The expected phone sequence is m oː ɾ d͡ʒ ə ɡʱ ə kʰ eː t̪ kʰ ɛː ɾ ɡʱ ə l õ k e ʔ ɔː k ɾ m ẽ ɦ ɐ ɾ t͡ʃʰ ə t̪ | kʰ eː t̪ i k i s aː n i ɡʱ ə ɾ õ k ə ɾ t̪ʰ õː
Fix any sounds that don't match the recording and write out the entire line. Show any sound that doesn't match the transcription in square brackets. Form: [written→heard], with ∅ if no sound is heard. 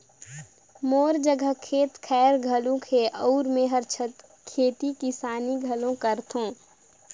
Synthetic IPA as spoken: m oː ɾ d͡ʒ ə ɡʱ ə kʰ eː t̪ kʰ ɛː ɾ ɡʱ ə l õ [k→kʰ] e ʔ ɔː [k→∅] ɾ m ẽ ɦ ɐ ɾ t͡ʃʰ ə t̪ | kʰ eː t̪ i k i s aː n i ɡʱ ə [ɾ→l] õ k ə ɾ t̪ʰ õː